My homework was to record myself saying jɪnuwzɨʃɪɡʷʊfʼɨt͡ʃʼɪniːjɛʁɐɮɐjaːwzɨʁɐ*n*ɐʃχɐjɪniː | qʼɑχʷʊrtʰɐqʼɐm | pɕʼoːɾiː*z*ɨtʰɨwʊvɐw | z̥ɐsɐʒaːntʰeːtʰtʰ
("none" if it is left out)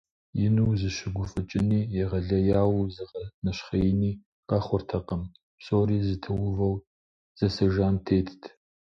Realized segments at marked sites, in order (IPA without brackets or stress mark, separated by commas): n, z